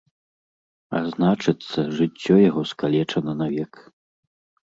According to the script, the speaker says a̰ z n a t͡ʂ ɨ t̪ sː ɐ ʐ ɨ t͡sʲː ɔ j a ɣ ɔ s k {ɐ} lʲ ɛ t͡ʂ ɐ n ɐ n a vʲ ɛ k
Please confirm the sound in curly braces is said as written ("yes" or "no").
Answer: no